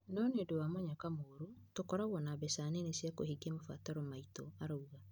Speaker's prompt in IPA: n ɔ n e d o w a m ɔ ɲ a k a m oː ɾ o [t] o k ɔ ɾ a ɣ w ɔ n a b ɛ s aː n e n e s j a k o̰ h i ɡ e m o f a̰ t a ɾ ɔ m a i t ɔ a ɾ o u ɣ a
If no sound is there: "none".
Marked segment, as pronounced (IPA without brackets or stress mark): t